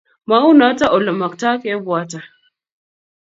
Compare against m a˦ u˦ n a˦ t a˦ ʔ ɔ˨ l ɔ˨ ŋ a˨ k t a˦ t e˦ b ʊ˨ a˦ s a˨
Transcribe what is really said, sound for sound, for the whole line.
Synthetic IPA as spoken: m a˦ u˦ n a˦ t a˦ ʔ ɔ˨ l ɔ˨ m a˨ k t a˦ k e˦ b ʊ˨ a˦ t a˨

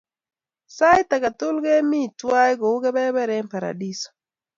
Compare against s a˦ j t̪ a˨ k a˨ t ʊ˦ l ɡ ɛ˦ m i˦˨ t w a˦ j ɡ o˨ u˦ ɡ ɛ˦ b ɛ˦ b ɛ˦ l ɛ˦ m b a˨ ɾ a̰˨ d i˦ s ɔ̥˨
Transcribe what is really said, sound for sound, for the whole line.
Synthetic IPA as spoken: s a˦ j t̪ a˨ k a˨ t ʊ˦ l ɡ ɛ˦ m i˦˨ t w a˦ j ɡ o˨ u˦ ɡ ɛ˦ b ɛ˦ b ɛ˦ ɾ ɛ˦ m p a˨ ɾ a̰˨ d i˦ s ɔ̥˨

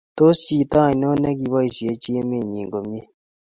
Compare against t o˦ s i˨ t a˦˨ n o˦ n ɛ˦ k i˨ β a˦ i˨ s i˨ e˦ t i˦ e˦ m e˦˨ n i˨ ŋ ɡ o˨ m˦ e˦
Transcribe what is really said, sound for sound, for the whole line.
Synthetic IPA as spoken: t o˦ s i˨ t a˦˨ n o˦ n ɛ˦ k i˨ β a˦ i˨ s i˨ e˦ t͡ʃ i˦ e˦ m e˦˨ ɲ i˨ ŋ ɡ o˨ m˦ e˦

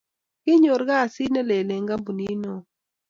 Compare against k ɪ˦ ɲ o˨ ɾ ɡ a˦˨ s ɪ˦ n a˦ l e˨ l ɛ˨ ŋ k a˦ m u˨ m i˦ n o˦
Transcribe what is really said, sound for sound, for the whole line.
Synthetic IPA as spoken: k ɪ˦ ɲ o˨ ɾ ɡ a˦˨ s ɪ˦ n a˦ l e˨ l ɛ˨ ŋ ɡ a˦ b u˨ n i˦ n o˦

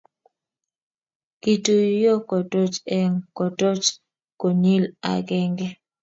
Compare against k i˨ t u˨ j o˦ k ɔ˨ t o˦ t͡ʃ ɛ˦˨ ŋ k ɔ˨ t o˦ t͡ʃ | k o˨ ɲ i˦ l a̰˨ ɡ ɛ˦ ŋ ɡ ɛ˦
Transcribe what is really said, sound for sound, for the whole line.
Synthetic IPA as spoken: k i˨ t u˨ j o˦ k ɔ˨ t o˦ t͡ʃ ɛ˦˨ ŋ k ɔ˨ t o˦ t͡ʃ | k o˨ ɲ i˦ l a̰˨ ɡ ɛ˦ ŋ ɡ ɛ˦

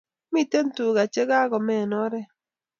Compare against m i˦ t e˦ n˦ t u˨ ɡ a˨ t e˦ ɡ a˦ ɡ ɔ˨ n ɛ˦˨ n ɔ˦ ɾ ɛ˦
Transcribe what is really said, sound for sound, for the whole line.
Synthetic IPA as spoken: m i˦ t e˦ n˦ t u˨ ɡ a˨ t͡ʃ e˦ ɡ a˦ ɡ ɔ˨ m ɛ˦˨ n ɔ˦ ɾ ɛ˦

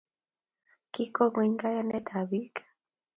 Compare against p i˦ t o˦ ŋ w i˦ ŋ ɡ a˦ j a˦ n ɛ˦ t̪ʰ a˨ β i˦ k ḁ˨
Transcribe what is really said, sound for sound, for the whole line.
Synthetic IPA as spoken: k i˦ k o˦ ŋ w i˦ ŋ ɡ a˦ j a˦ n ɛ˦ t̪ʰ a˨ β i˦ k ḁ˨

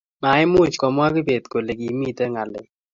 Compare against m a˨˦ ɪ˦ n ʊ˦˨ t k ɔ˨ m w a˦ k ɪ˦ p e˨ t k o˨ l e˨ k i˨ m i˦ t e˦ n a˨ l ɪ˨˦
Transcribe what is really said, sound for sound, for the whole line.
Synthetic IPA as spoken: m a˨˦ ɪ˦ m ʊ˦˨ t͡ʃ k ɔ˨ m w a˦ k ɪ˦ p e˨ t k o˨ l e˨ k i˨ m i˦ t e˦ ŋ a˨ l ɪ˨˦

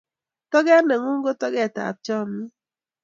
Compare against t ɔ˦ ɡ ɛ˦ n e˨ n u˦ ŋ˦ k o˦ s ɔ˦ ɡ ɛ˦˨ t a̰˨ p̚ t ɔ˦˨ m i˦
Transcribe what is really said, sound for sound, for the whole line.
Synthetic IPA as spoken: t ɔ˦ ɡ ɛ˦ n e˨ ŋ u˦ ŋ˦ ɡ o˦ t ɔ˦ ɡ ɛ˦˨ t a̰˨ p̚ t͡ʃ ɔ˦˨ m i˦

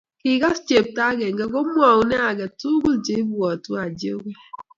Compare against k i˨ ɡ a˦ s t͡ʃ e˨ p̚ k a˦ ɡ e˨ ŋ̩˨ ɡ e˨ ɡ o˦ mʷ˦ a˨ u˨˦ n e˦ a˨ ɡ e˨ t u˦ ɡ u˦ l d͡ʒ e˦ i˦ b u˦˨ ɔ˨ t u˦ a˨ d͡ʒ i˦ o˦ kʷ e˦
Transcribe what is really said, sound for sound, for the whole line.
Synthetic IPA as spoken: k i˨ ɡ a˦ s t͡ʃ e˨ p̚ t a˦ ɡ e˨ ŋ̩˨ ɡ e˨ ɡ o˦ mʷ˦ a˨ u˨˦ n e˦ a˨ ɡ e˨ t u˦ ɡ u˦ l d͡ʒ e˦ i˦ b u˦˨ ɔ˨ t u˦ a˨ d͡ʒ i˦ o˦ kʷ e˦

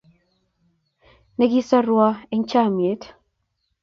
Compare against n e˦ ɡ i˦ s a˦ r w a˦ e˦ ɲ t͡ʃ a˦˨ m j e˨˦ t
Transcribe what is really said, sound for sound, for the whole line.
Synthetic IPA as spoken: n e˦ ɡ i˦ s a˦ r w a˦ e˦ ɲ t͡ʃ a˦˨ m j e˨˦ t

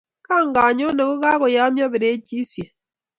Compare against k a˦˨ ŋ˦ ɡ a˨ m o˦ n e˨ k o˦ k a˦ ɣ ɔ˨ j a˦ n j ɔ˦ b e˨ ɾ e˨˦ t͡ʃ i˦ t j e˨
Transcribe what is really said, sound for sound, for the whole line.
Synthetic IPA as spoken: k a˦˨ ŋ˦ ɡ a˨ ɲ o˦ n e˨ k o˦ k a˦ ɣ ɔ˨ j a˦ m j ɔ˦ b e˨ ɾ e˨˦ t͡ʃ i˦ s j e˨

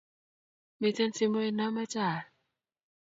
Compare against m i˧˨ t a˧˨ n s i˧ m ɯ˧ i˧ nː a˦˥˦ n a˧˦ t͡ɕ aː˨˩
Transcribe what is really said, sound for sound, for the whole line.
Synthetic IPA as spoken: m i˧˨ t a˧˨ n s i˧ m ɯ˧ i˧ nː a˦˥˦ m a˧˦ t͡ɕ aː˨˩

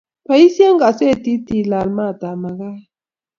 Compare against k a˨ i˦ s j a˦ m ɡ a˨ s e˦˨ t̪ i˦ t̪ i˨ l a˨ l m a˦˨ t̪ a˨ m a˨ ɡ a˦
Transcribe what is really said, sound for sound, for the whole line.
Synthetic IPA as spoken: p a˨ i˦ s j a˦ ŋ ɡ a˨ s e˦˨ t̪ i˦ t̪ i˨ l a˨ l m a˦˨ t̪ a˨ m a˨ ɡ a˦

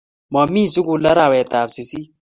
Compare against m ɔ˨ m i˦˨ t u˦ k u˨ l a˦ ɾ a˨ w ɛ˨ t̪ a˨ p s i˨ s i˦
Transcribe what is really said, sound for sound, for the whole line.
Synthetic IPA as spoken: m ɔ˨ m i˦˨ s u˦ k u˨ l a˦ ɾ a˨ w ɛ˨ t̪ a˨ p s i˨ s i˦

